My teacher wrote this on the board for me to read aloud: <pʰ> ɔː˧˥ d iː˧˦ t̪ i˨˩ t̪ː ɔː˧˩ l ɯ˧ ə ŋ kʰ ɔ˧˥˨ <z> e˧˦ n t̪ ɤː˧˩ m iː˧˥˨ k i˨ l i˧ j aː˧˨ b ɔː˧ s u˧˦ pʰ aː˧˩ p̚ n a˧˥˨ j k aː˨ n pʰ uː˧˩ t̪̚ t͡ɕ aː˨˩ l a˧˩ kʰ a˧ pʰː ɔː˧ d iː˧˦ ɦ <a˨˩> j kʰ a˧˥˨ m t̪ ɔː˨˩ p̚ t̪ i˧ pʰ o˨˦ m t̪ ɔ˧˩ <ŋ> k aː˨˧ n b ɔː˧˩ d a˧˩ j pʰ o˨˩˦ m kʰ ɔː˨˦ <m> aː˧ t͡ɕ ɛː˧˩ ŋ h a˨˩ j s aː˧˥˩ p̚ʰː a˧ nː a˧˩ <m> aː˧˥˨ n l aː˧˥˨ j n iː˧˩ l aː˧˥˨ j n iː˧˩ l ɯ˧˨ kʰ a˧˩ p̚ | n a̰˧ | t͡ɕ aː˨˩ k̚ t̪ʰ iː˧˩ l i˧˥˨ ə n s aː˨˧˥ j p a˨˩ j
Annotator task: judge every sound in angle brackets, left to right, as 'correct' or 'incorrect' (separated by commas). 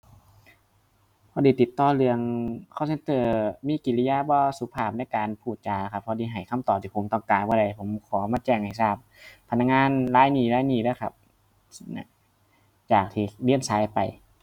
correct, incorrect, correct, correct, correct, incorrect